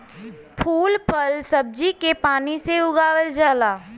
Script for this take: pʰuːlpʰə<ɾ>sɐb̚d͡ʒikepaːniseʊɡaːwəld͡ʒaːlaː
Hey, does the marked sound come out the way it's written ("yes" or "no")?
no